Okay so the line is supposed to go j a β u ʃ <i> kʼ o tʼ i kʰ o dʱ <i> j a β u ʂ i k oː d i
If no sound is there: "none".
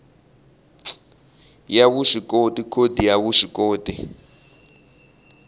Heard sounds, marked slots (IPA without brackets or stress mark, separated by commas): i, i